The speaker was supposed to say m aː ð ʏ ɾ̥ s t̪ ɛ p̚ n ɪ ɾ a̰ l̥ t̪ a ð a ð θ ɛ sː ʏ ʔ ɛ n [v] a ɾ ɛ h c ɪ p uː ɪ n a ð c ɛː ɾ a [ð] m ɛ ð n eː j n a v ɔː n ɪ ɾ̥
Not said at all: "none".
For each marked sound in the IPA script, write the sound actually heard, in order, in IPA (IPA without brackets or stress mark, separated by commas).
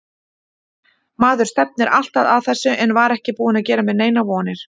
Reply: v, none